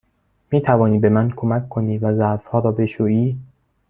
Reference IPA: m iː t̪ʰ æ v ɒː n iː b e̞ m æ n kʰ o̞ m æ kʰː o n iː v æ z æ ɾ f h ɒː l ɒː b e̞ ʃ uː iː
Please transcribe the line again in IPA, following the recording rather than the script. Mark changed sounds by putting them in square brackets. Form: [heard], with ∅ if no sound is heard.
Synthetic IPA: m iː t̪ʰ æ v ɒː n iː b e̞ m æ n kʰ o̞ m æ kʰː o n iː v æ z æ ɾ f h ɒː [ɾ] ɒː b e̞ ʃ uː iː